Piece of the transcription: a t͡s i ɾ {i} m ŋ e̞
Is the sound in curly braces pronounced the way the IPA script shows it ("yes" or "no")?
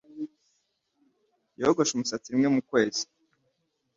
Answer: yes